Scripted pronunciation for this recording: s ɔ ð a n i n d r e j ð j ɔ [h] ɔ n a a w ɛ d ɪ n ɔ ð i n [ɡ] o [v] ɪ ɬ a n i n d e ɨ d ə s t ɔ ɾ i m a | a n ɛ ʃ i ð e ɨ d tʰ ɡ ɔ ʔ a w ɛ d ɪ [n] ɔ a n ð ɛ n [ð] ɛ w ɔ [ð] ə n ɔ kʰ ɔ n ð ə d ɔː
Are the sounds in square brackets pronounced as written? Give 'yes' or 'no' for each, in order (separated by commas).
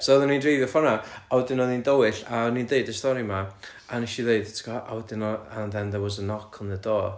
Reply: no, no, no, yes, yes, no